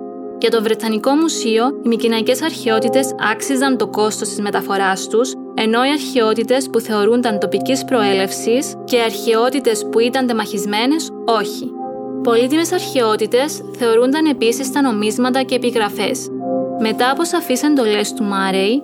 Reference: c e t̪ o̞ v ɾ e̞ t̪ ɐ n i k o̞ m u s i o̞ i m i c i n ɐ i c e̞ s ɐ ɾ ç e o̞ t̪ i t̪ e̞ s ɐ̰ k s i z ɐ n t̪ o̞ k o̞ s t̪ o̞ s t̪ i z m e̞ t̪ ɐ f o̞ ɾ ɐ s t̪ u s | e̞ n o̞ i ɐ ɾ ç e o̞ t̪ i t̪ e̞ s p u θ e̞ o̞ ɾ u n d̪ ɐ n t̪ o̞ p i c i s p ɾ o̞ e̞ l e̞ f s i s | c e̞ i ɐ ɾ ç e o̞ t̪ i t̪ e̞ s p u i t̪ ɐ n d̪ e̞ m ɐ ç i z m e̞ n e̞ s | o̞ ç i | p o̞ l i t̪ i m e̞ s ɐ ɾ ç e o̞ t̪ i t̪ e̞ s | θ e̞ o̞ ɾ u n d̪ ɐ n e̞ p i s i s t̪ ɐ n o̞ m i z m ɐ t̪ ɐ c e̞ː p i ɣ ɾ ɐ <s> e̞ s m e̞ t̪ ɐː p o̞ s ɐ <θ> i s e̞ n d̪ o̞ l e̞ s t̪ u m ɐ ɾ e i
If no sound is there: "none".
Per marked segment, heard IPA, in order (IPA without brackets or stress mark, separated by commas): f, f